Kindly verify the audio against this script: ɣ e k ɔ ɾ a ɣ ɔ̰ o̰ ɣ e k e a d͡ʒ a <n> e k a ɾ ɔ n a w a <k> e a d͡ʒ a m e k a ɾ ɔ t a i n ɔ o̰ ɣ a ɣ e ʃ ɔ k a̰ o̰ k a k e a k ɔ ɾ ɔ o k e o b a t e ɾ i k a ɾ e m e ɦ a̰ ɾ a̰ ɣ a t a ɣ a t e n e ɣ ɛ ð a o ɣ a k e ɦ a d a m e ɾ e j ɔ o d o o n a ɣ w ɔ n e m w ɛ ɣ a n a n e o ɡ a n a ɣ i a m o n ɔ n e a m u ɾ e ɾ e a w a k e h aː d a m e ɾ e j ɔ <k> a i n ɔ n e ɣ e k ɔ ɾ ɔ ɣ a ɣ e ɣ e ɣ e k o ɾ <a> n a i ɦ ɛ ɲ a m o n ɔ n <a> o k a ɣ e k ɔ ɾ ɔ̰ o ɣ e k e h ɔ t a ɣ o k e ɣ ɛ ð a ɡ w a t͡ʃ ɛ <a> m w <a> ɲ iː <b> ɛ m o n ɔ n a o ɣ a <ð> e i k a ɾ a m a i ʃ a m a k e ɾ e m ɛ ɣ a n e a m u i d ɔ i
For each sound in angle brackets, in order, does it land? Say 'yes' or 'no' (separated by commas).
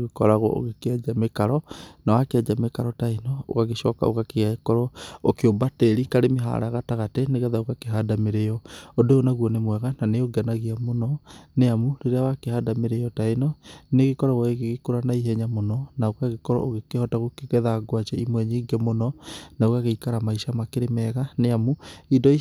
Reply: no, yes, no, yes, yes, no, no, no, no